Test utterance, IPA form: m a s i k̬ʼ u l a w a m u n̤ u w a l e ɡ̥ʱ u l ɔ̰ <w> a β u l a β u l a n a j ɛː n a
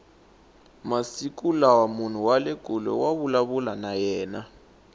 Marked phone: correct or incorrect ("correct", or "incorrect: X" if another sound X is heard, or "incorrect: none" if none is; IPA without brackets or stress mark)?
correct